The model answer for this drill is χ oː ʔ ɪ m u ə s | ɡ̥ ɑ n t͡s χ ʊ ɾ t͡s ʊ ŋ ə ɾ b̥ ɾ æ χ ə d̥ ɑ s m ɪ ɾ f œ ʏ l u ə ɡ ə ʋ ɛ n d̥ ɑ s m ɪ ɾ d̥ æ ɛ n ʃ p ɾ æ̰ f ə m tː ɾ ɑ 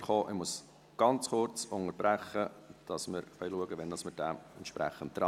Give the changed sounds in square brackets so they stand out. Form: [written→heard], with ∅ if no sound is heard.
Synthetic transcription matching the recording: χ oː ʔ ɪ m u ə s | ɡ̥ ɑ n t͡s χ ʊ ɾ t͡s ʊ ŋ ə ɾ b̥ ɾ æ χ ə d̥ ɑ s m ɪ ɾ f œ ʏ l u ə ɡ ə ʋ ɛ n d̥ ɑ s m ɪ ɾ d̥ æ ɛ n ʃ p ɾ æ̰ [f→χ] ə [m→n] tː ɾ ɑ